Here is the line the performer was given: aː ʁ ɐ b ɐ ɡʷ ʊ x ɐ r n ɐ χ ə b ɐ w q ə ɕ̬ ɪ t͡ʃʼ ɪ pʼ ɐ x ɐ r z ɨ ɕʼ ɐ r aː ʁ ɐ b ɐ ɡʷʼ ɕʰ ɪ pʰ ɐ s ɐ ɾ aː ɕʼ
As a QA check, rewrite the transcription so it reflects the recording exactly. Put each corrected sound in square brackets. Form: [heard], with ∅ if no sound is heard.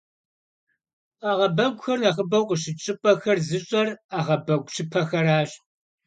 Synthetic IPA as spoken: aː ʁ ɐ b ɐ ɡʷ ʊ x ɐ r n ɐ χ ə b ɐ w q ə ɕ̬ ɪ t͡ʃʼ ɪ pʼ ɐ x ɐ r z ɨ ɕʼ ɐ r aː ʁ ɐ b ɐ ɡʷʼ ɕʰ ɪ pʰ ɐ [x] ɐ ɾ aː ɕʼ